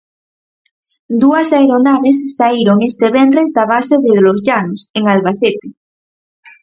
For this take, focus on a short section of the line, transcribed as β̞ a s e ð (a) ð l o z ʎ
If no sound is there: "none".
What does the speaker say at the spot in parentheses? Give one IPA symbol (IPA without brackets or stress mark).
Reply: e